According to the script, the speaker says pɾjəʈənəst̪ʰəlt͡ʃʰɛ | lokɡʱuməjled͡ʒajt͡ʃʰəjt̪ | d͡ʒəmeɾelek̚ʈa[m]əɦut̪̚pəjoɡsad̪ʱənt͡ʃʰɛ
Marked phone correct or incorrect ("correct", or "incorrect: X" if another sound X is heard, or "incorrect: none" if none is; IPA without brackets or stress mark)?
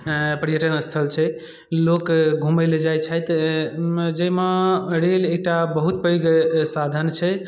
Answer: incorrect: b